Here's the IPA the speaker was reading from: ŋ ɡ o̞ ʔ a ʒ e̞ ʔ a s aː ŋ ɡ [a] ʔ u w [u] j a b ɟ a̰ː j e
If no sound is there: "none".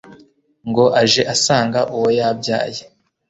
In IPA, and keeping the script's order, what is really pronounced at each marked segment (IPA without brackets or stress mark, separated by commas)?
a, o